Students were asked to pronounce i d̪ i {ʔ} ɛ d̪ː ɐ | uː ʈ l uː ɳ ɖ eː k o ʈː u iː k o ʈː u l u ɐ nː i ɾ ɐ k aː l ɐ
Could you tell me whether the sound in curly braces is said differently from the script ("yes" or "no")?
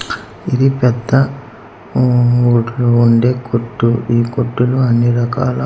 yes